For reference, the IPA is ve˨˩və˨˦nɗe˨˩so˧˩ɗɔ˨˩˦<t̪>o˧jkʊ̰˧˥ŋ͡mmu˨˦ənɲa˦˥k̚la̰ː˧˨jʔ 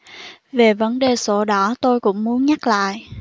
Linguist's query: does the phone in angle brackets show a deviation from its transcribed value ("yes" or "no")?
no